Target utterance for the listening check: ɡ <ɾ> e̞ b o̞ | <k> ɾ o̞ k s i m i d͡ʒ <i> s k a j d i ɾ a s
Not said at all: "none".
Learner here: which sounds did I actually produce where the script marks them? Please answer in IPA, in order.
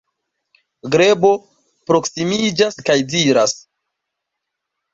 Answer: ɾ, p, a

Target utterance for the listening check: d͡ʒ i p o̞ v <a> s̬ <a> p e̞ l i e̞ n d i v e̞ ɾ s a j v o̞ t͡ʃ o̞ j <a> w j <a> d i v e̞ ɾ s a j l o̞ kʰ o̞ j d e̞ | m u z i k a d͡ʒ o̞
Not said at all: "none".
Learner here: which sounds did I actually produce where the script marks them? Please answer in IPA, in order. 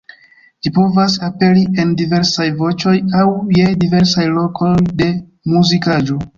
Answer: a, a, a, e

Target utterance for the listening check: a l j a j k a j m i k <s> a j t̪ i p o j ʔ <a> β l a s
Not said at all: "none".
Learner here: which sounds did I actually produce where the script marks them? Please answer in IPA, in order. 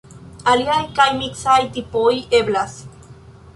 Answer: s, e

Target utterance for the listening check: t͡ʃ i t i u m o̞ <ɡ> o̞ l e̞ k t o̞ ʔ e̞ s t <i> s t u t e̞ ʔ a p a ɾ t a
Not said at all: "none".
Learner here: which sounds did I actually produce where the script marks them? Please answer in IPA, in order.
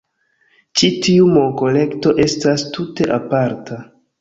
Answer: k, a

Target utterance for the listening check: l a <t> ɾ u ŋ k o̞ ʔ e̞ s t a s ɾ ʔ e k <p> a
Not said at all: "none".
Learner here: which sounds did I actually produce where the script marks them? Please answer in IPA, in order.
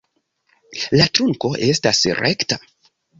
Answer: t, t

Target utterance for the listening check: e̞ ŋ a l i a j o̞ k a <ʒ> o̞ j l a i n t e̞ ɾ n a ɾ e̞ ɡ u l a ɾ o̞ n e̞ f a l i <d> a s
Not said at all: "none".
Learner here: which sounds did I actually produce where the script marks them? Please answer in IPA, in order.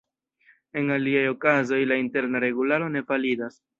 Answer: z, d

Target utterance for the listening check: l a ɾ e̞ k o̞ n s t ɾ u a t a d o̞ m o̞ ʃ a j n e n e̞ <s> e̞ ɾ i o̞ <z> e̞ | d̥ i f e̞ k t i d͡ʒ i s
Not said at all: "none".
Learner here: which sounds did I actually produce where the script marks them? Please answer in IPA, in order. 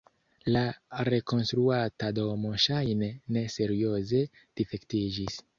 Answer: s, z

